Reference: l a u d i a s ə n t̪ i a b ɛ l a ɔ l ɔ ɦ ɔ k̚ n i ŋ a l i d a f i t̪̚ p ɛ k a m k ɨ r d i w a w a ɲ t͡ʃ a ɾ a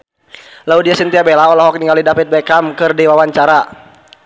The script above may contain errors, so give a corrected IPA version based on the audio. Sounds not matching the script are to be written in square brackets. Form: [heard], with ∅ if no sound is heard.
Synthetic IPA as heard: l a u d i a s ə n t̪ i a b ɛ l a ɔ l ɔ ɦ ɔ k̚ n i ŋ a l i d a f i t̪̚ [b] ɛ k a m k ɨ r d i w a w a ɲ t͡ʃ a ɾ a